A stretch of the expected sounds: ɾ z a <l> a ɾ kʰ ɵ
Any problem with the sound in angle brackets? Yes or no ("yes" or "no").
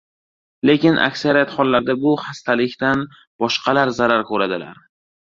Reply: yes